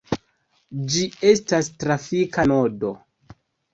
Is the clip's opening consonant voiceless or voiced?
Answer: voiced